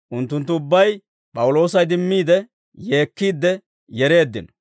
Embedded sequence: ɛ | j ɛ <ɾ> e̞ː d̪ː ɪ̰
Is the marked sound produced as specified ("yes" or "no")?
yes